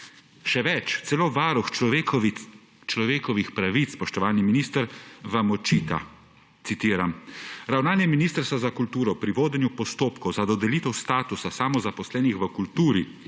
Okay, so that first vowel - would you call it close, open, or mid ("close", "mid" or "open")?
mid